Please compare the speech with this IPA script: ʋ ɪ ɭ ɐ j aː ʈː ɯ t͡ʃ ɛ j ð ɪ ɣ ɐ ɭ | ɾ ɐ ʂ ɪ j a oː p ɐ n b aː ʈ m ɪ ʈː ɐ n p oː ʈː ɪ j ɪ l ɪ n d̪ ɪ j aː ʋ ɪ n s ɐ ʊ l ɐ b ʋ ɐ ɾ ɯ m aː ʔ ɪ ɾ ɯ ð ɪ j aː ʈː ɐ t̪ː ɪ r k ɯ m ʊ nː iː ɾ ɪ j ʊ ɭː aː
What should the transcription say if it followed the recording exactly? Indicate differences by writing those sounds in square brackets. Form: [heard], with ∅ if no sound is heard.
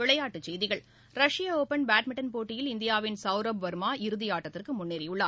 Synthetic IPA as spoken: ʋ ɪ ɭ ɐ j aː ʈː ɯ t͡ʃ ɛ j ð ɪ ɣ ɐ ɭ | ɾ ɐ ʂ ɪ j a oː p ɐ n b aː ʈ m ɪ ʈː ɐ n p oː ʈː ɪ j ɪ l ɪ n d̪ ɪ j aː ʋ ɪ n s ɐ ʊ [ɾ] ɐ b ʋ ɐ ɾ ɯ m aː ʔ ɪ ɾ ɯ ð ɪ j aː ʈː ɐ t̪ː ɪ r k ɯ m ʊ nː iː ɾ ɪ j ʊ ɭː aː